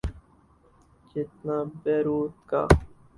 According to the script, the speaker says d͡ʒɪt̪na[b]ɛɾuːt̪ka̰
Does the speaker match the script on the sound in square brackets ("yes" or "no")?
yes